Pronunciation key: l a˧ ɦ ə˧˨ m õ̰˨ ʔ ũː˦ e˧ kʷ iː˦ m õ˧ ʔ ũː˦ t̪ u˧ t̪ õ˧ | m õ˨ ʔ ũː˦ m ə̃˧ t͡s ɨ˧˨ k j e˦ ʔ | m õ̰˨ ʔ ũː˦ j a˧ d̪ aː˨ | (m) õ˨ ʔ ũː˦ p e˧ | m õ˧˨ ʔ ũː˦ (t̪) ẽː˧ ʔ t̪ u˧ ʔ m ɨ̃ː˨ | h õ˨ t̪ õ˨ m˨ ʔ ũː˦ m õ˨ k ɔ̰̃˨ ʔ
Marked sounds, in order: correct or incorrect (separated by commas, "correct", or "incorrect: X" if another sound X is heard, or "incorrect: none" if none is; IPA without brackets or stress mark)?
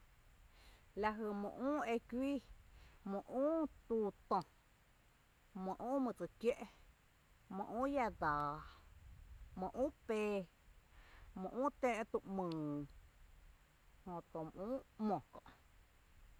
correct, correct